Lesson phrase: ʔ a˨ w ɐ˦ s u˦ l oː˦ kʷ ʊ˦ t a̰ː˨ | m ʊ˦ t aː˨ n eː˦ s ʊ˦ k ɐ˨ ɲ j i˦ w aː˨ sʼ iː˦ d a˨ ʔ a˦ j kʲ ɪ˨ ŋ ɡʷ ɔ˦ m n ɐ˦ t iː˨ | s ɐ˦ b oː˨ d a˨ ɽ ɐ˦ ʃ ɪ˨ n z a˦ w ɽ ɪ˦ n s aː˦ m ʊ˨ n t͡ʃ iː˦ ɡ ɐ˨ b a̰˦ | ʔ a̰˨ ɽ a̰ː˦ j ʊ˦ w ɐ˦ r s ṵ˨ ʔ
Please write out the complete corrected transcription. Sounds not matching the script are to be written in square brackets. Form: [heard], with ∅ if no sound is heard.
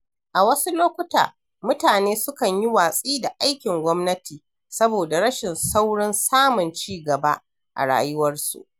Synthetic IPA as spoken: ʔ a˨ w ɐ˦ s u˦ l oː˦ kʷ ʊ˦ t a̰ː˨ | m ʊ˦ t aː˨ n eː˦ s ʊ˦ k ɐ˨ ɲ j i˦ w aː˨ sʼ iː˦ d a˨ ʔ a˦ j kʲ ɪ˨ ŋ ɡʷ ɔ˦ m n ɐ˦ t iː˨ | s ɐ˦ b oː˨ d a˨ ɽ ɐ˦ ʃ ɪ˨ n [s] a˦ w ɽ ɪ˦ n s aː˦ m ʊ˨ n t͡ʃ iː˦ ɡ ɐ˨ b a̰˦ | ʔ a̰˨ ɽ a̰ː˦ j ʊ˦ w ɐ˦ r s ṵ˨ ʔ